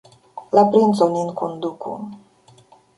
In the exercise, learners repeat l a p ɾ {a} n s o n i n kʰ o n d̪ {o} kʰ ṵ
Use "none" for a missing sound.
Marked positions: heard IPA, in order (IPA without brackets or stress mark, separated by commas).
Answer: i, u